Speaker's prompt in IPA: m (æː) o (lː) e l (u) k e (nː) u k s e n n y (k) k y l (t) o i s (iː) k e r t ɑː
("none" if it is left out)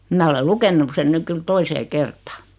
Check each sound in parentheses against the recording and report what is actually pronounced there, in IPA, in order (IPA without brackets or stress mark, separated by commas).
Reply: æ, l, u, nː, k, t, eː